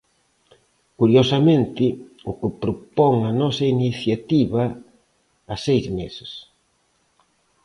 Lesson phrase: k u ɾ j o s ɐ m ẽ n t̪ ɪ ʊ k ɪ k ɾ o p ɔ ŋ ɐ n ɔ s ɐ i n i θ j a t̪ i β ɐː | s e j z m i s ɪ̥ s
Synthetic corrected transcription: k u ɾ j o s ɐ m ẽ n t̪ ɪ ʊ k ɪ p ɾ o p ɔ ŋ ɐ n ɔ s ɐ i n i θ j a t̪ i β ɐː | s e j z m e s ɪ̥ s